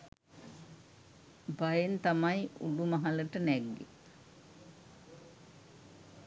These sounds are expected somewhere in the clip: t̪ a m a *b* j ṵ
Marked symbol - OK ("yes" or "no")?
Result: no